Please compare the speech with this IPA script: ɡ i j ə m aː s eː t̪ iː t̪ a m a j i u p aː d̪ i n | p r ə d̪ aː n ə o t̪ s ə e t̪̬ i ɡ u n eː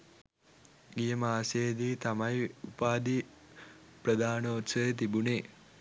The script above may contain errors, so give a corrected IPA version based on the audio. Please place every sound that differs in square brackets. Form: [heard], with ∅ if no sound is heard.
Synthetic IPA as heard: ɡ i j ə m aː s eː [d̪] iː t̪ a m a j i u p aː d̪ i [∅] | p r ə d̪ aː n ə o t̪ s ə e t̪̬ i [b] u n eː

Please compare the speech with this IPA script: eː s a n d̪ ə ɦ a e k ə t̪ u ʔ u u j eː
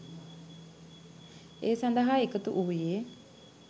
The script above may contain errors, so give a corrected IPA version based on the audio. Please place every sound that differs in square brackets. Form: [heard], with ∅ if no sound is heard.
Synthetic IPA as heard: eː s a n d̪ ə ɦ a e k ə t̪ u ʔ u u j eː

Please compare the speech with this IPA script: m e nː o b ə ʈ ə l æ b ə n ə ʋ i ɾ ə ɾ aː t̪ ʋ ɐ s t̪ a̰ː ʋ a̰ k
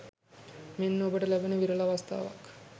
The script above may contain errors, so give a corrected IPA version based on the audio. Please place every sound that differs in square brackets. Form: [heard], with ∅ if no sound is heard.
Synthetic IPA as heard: m e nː o b ə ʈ ə l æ b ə n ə ʋ i ɾ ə [l] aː [∅] ʋ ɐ s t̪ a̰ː ʋ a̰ k

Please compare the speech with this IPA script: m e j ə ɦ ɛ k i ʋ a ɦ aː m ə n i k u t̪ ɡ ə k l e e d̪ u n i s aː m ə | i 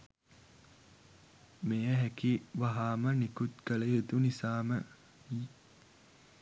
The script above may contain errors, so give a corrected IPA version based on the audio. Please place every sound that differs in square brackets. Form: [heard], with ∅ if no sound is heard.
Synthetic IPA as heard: m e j ə ɦ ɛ k i ʋ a ɦ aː m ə n i k u t̪ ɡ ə [∅] l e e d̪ u n i s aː m ə | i

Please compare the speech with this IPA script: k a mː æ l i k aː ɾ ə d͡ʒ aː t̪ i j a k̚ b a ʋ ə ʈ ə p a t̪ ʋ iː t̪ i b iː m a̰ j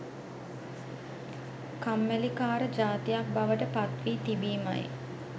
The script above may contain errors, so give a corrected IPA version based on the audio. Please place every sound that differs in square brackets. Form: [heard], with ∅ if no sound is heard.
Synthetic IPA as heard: k a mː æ l i k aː ɾ ə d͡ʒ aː t̪ i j a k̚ b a ʋ ə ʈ ə p a t̪ ʋ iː t̪ i b iː m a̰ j

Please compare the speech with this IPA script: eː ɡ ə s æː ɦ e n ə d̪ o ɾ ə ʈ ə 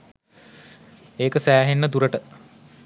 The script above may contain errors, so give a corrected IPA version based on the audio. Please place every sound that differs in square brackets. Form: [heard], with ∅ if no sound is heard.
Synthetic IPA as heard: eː [k] ə s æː ɦ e [nː] ə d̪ [u] ɾ ə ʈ ə

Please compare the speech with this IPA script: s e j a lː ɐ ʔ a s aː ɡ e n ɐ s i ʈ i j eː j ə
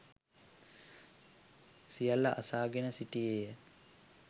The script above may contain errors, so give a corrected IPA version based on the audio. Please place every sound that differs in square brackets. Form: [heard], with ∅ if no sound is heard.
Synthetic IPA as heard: s [i] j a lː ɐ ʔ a s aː ɡ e n [ə] s i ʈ i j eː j ə

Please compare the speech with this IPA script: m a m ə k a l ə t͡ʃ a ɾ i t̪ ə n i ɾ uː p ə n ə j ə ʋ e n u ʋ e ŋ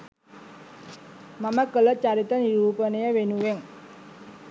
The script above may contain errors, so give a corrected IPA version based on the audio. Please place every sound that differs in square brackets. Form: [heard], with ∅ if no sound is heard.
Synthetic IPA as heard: m a m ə k [ə] l ə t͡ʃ a ɾ i t̪ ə n i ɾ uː p ə n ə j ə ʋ e n u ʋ e ŋ

